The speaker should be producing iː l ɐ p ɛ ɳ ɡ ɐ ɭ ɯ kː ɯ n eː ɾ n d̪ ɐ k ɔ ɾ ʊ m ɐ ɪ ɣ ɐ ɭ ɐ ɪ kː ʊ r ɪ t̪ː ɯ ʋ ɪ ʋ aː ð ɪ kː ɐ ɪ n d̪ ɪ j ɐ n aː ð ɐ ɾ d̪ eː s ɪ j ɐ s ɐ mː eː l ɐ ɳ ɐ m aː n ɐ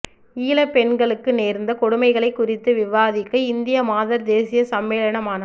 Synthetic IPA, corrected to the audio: iː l ɐ p ɛ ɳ ɡ ɐ ɭ ɯ kː ɯ n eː ɾ n d̪ ɐ k ɔ ɽ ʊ m ɐ ɪ ɣ ɐ ɭ ɐ ɪ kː ʊ r ɪ t̪ː ɯ ʋ ɪ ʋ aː ð ɪ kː ɐ ɪ n d̪ ɪ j ɐ m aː ð ɐ ɾ d̪ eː s ɪ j ɐ s ɐ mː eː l ɐ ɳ ɐ m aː n ɐ